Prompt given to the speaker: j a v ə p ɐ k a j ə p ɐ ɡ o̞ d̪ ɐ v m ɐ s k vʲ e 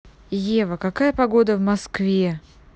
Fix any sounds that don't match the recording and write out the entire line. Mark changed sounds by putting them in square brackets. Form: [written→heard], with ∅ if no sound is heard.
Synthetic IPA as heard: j [a→e] v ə [p→k] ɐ k a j ə p ɐ ɡ o̞ d̪ [ɐ→ə] v m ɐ s k vʲ e